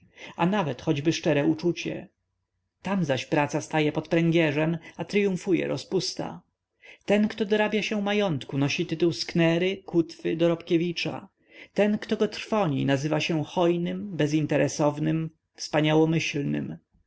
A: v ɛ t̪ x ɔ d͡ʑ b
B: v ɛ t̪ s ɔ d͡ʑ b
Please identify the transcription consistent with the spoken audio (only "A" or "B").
A